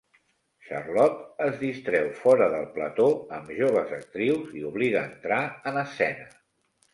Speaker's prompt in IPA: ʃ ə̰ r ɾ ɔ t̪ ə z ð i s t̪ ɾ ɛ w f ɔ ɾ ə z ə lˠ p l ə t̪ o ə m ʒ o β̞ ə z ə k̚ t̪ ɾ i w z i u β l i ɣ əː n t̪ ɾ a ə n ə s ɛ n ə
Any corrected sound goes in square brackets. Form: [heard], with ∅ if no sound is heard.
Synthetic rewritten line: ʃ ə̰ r [l] ɔ t̪ ə z ð i s t̪ ɾ ɛ w f ɔ ɾ ə [ð] ə lˠ p l ə t̪ o ə m ʒ o β̞ ə z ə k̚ t̪ ɾ i w z i u β l i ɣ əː n t̪ ɾ a ə n ə s ɛ n ə